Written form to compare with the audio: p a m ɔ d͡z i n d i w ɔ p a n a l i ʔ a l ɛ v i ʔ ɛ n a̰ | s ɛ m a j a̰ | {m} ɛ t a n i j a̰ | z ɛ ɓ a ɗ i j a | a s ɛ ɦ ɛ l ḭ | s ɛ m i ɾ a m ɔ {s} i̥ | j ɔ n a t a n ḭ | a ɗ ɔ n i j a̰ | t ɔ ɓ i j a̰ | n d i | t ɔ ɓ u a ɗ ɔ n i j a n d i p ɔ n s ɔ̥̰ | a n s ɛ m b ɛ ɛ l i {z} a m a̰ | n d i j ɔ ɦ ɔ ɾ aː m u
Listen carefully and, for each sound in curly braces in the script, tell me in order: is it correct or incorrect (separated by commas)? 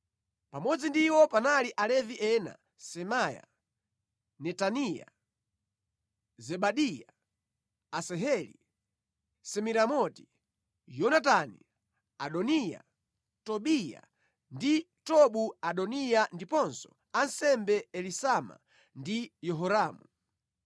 incorrect, incorrect, incorrect